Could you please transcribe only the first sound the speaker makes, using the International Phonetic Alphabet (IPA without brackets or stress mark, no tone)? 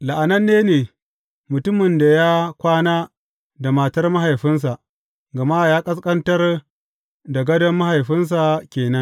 l